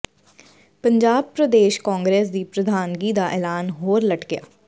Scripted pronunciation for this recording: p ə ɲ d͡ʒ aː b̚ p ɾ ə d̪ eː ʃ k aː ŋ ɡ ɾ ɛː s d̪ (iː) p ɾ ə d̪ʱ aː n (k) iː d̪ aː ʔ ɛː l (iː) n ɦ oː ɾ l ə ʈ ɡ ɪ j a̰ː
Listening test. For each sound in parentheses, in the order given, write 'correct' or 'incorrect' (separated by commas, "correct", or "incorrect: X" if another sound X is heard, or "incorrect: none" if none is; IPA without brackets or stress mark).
correct, incorrect: ɡ, incorrect: aː